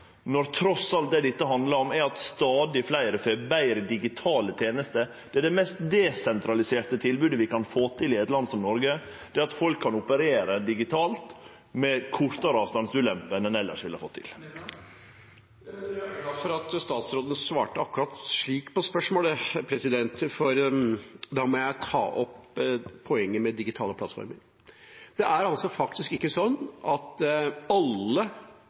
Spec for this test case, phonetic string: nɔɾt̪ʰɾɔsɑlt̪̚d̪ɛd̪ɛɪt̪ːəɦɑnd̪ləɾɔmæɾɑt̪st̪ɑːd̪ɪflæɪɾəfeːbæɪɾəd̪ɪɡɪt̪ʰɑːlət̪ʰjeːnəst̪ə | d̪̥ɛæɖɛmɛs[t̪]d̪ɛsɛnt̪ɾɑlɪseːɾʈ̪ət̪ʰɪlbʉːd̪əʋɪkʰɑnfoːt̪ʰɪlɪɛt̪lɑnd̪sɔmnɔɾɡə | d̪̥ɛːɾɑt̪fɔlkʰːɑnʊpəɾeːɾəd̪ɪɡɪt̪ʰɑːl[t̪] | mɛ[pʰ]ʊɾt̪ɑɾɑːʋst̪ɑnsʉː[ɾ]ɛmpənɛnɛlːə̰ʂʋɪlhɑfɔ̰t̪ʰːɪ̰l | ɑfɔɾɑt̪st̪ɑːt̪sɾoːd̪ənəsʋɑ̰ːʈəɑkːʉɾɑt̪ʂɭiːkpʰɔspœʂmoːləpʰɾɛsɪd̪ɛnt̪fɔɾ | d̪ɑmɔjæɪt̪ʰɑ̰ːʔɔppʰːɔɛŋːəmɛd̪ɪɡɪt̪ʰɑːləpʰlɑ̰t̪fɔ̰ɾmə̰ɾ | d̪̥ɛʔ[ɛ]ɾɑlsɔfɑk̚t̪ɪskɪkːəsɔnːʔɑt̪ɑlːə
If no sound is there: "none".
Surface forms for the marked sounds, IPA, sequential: t̪, t̪, kʰ, l, æ

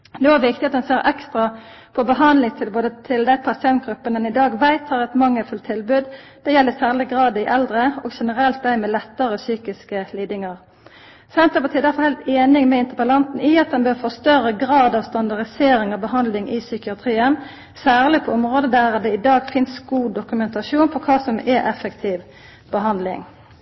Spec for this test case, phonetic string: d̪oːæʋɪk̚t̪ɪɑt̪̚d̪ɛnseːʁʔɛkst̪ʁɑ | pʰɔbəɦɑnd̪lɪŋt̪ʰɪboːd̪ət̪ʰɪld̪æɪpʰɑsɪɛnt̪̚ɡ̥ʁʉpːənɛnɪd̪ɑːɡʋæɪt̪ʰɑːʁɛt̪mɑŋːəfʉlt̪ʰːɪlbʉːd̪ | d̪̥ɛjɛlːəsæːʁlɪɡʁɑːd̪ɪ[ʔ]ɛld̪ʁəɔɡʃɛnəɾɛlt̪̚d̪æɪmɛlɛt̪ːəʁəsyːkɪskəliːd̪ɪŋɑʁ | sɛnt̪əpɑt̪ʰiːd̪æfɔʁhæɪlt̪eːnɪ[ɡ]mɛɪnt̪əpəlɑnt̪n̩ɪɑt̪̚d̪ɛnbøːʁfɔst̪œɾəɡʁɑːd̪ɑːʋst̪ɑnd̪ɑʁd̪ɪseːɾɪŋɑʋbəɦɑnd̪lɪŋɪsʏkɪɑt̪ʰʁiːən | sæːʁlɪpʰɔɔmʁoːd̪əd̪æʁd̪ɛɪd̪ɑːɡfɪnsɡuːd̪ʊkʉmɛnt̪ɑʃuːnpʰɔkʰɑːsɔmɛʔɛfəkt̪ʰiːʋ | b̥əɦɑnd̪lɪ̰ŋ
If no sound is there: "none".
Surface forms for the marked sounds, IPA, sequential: ʔ, ŋ

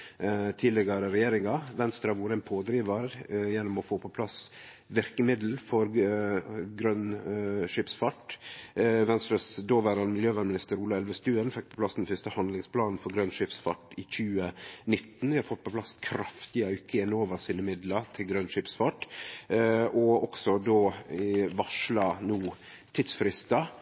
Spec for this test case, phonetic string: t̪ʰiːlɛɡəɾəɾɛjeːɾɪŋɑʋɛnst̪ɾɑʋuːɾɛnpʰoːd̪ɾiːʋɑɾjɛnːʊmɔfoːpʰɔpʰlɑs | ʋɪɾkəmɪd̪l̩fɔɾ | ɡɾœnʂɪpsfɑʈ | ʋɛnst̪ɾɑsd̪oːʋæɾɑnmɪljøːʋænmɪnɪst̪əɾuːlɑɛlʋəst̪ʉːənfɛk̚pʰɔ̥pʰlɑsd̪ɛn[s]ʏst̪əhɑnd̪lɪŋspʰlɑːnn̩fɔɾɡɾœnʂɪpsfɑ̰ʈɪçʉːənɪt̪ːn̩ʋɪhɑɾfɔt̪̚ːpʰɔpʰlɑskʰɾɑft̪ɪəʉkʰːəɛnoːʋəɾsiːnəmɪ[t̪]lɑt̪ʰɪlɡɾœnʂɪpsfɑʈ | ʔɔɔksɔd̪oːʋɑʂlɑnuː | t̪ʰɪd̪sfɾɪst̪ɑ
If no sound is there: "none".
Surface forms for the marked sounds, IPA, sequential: f, d̪

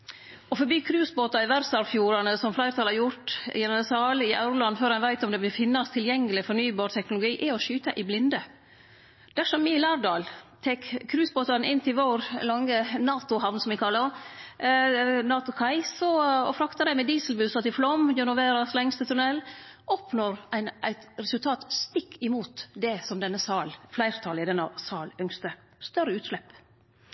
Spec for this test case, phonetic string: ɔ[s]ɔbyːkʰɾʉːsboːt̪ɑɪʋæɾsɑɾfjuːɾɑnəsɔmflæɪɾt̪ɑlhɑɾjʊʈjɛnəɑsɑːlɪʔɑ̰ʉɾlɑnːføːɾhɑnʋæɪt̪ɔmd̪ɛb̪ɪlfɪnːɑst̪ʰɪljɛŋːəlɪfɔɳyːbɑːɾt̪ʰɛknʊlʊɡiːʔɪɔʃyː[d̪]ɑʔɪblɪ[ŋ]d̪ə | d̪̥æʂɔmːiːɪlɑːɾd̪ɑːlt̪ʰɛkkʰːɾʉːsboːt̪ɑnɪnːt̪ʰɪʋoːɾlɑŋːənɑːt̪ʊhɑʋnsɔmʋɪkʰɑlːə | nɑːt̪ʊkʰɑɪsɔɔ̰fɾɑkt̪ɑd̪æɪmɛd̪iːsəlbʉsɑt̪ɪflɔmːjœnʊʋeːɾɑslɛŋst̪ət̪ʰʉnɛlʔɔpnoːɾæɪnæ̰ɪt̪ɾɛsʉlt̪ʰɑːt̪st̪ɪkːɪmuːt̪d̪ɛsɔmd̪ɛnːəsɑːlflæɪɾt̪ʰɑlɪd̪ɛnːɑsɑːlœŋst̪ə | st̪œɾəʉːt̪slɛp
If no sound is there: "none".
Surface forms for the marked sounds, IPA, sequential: f, t̪, n

